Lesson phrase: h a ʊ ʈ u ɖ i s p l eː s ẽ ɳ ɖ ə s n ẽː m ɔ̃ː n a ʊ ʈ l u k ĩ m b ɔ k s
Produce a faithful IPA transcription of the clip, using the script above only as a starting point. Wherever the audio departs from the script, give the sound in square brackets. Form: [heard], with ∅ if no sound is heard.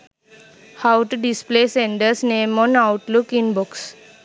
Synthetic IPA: h a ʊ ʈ u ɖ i s p l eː s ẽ ɳ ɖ ə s n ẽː m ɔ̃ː n a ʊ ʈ l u k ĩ [n] b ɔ k s